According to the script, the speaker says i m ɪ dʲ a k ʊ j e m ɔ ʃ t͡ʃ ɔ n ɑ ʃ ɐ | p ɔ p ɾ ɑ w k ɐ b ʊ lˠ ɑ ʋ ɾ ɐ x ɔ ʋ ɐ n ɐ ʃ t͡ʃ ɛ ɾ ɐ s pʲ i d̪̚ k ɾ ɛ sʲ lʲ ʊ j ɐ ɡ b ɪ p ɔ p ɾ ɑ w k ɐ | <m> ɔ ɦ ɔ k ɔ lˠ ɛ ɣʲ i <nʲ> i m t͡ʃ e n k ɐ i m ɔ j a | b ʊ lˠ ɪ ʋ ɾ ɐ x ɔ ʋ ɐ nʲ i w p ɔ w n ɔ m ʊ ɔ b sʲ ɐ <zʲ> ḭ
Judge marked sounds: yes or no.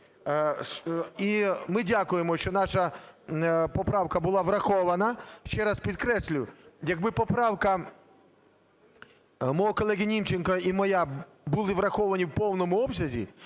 yes, yes, yes

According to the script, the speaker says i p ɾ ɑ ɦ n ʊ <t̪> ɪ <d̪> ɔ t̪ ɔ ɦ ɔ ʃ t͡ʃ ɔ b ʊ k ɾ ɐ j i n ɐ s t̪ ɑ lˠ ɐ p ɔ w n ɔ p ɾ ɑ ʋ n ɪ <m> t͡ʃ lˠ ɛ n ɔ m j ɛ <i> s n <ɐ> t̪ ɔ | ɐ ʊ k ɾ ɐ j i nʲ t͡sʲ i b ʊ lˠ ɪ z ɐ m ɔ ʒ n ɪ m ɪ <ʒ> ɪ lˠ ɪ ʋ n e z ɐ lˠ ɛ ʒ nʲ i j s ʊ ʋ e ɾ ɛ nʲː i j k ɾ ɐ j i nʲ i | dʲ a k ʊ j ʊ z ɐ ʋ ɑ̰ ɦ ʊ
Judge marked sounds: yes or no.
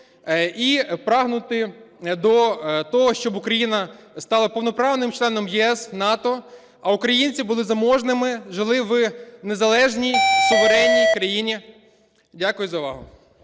yes, yes, yes, no, no, yes

